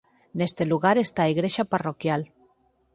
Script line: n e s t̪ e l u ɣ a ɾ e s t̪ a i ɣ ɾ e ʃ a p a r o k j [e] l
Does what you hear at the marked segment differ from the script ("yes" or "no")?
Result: yes